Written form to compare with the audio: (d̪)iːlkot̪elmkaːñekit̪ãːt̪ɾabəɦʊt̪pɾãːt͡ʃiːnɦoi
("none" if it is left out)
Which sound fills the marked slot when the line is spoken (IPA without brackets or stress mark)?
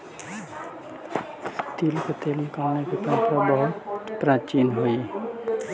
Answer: t̪